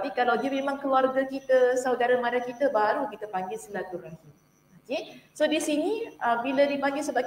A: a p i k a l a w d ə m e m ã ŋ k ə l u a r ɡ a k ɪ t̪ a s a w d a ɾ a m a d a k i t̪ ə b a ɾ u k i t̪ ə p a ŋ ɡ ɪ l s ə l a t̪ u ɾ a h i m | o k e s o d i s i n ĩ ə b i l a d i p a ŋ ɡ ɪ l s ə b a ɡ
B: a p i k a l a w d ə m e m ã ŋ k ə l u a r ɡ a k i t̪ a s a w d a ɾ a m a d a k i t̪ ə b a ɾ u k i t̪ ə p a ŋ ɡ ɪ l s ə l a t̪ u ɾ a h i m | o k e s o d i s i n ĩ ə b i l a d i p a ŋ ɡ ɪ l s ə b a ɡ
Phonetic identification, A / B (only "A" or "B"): B